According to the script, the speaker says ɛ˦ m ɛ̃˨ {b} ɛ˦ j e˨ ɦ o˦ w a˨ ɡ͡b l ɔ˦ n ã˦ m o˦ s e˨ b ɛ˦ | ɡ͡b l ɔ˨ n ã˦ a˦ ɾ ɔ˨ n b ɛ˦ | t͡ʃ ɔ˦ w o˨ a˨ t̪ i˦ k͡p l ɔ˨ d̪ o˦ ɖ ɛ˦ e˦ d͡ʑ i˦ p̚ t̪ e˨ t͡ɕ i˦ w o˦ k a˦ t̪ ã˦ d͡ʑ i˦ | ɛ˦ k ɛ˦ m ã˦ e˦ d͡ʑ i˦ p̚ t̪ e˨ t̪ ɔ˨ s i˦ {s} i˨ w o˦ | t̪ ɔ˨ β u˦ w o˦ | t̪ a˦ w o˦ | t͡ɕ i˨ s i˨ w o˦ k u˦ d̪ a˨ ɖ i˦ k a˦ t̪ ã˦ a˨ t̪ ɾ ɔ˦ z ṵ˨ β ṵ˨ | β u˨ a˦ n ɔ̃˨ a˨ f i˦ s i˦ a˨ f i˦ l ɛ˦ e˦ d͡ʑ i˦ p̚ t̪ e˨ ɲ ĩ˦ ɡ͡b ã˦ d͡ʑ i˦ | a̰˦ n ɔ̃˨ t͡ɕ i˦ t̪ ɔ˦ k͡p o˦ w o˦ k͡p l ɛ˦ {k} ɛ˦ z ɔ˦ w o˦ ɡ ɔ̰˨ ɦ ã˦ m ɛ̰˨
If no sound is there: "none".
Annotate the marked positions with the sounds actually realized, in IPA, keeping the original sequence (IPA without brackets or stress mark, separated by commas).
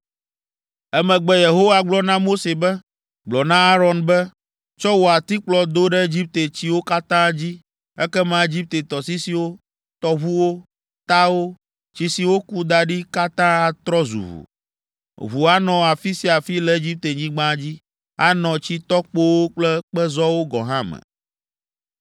ɡ͡b, s, k͡p